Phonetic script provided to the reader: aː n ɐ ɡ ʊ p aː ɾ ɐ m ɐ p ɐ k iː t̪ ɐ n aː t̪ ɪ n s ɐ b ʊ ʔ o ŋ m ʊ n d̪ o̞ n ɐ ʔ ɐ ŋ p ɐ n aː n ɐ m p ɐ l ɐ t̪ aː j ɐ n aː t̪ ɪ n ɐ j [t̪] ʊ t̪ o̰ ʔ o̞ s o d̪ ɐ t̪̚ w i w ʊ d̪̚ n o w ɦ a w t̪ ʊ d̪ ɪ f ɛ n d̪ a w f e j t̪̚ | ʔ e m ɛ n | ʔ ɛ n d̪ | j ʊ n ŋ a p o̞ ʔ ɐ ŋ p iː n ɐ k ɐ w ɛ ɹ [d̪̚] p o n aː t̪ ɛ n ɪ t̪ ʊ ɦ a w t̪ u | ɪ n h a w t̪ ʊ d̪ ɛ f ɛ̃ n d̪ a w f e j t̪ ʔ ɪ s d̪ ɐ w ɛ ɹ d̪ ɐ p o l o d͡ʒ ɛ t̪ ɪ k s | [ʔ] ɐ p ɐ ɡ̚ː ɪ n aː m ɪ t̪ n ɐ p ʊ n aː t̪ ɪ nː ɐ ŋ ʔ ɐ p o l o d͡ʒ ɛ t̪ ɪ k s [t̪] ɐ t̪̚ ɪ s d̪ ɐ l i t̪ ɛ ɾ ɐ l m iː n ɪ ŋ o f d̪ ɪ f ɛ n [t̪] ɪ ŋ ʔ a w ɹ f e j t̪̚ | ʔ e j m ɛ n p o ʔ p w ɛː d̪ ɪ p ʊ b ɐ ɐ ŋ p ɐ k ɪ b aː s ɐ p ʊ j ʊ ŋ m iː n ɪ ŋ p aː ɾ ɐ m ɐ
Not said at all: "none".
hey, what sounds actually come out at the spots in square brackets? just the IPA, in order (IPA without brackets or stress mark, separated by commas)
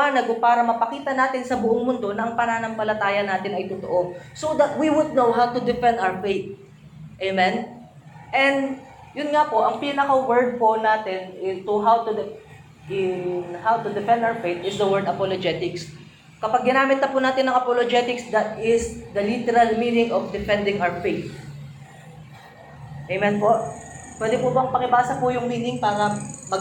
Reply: t̪, d̪̚, k, d̪, d̪